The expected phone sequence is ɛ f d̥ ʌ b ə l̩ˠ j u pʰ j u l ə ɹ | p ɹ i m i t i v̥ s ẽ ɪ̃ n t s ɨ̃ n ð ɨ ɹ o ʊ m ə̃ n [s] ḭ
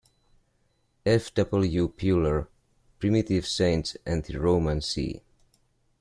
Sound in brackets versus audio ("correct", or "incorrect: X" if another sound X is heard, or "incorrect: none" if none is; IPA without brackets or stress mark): correct